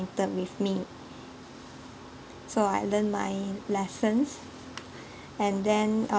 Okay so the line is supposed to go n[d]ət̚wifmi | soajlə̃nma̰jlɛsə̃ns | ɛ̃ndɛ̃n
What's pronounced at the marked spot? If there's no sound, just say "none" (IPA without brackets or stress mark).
t